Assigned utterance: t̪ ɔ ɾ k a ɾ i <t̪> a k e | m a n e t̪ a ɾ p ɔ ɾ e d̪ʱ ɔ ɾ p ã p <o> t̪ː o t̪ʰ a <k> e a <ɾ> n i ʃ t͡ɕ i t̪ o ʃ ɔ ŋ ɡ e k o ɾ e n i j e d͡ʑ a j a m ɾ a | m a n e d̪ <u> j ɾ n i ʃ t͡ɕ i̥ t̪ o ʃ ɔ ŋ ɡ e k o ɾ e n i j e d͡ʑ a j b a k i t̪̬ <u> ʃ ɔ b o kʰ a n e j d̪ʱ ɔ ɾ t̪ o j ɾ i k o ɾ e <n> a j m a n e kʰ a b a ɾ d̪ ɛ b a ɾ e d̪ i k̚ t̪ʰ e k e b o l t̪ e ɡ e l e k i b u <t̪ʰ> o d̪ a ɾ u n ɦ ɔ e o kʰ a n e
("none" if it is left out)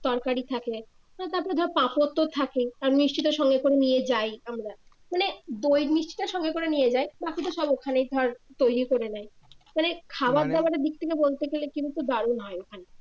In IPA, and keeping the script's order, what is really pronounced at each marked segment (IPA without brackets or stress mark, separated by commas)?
t̪ʰ, o, k, ɾ, o, o, n, t̪